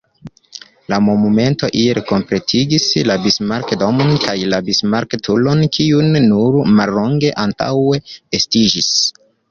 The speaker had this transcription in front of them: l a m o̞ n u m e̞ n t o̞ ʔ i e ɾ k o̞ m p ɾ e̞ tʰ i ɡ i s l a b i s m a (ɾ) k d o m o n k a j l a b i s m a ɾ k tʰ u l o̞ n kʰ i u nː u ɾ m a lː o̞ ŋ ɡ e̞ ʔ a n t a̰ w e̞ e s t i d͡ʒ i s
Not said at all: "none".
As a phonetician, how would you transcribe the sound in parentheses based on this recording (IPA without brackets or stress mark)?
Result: ɾ